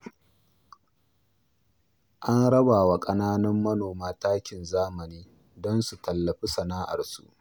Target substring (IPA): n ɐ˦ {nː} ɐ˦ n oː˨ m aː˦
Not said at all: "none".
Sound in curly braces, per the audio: mː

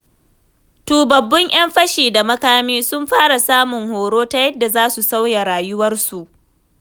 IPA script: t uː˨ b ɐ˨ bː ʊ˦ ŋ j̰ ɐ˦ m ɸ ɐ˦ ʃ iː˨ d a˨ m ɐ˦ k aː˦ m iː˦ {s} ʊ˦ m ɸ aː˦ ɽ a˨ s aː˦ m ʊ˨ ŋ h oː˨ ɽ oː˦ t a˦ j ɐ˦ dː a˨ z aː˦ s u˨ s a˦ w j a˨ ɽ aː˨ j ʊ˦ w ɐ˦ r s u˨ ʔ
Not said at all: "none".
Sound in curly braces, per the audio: s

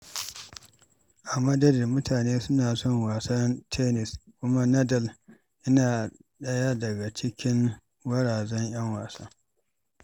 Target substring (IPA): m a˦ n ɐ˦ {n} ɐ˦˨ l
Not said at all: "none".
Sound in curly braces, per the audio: d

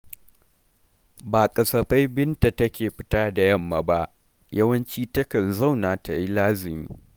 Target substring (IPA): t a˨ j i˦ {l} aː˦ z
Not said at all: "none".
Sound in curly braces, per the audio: l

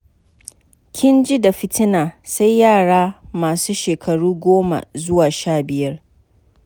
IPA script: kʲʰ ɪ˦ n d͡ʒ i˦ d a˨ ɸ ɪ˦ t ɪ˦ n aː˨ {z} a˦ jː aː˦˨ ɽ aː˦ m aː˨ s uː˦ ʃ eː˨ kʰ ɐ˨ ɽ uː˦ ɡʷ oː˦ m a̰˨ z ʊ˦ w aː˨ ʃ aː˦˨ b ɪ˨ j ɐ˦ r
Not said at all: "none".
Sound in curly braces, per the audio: s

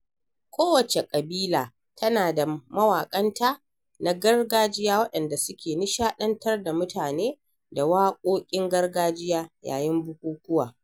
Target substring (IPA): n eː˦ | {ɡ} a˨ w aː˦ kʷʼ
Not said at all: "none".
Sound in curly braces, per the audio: d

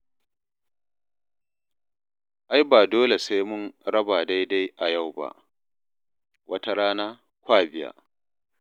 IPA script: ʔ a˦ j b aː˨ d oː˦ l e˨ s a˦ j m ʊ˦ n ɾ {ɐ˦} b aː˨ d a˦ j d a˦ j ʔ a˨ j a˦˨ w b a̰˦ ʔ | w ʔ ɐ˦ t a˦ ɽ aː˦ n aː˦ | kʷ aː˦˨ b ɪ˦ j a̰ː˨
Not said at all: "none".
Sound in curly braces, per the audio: ɐ˦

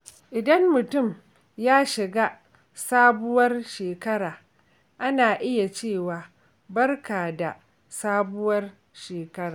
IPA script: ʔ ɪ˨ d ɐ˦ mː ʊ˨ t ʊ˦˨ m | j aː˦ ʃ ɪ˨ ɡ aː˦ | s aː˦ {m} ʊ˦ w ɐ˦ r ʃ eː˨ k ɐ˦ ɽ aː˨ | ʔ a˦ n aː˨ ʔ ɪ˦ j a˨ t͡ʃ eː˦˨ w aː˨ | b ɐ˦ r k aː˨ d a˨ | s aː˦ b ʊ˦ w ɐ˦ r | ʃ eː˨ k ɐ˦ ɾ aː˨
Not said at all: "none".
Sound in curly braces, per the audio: b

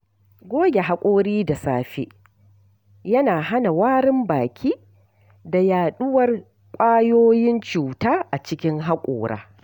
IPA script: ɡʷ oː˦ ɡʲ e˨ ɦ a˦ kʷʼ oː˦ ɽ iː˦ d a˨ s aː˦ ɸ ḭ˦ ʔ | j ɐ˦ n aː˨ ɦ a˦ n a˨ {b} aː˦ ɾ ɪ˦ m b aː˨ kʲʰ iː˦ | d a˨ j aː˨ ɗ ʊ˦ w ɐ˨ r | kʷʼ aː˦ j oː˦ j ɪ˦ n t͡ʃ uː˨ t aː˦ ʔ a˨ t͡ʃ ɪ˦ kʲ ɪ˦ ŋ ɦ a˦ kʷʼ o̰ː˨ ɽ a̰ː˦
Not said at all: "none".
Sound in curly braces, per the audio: w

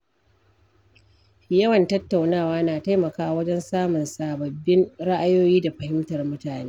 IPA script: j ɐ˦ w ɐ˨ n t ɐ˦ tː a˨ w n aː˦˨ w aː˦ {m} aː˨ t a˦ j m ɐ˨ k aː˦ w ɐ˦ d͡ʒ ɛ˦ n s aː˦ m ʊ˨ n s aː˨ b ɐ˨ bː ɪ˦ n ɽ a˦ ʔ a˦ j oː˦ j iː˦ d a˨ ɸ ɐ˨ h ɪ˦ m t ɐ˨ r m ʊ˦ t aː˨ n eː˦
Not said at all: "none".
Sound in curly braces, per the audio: n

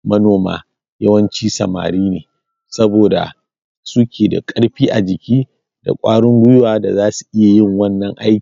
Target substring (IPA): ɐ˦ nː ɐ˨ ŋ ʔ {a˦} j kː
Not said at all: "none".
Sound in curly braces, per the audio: a˦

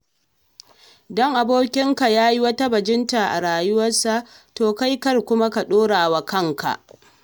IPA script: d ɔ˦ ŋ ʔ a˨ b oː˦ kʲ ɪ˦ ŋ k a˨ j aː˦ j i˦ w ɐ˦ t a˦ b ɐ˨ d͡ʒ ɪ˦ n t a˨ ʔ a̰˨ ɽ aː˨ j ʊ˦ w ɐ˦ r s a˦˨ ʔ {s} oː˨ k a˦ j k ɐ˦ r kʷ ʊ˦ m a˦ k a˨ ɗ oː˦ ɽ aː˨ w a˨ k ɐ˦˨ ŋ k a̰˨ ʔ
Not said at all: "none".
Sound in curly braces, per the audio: t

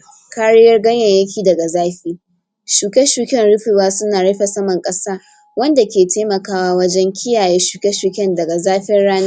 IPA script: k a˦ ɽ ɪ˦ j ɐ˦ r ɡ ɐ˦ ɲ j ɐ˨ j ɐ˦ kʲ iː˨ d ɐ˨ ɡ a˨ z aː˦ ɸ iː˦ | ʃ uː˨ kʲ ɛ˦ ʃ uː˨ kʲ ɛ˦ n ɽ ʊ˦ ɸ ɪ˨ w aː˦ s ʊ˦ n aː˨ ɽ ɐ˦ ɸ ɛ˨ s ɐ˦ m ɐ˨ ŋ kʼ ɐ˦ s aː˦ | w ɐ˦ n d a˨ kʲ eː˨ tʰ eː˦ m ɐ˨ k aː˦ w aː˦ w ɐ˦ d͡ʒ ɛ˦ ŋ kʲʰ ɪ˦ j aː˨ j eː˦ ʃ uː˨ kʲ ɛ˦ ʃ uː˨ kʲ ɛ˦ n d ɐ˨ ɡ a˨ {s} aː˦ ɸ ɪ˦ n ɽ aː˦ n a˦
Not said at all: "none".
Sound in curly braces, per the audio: z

